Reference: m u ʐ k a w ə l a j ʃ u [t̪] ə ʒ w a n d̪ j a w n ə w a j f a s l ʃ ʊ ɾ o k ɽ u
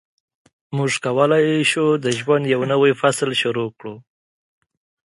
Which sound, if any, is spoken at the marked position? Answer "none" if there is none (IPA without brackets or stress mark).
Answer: d̪